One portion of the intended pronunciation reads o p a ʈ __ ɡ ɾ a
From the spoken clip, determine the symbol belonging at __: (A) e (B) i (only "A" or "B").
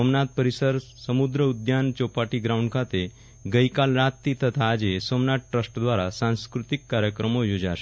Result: B